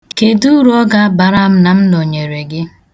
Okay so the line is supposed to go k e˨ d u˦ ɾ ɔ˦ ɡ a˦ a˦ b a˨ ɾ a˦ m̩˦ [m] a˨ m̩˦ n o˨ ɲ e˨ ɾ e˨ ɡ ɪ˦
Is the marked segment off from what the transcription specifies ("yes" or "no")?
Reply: yes